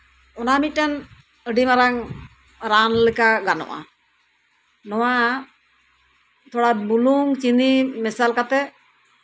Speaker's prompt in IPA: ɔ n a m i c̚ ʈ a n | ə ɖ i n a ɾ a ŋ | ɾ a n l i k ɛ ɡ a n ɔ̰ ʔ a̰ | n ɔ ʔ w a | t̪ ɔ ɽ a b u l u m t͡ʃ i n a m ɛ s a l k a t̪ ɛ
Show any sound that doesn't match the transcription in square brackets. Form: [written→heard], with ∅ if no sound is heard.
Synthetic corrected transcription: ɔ n a m i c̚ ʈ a n | ə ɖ i [n→m] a ɾ a ŋ | ɾ a n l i k [ɛ→a] ɡ a n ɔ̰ ʔ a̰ | n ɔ [ʔ→∅] w a | t̪ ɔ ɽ a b u l u [m→ŋ] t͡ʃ i n [a→i] m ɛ s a l k a t̪ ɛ